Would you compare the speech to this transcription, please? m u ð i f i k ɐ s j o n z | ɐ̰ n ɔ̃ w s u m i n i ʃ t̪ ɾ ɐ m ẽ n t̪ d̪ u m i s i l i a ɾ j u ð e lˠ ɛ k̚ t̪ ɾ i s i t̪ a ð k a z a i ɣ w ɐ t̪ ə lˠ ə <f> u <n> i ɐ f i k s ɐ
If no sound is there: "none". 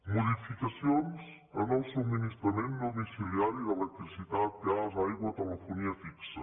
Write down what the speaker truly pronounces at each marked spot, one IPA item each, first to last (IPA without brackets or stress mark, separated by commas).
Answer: f, n